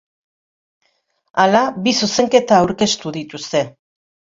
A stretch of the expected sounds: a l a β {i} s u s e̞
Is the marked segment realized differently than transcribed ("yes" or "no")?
no